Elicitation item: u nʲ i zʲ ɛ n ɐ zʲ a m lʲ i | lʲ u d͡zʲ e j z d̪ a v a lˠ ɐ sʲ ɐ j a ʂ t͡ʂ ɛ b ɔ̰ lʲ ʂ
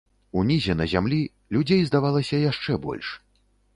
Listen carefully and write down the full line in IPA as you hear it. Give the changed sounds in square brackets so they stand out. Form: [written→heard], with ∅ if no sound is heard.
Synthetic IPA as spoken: u nʲ i zʲ ɛ n ɐ zʲ a m lʲ i | lʲ u d͡zʲ e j z d̪ a v a lˠ ɐ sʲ ɐ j a ʂ t͡ʂ ɛ b ɔ̰ lʲ ʂ